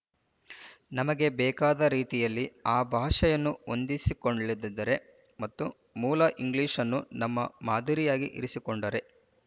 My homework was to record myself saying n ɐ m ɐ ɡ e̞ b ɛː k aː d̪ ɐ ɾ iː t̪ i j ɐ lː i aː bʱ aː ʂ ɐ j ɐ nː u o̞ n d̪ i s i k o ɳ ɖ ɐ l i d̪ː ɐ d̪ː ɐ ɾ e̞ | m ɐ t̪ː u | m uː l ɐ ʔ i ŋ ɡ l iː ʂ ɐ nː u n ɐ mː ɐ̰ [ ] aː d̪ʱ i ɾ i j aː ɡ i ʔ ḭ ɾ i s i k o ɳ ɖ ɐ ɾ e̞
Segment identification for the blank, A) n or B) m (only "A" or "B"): B